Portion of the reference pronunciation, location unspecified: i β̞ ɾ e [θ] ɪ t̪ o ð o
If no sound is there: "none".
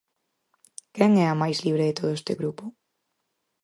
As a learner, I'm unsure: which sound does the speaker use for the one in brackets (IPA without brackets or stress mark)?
ð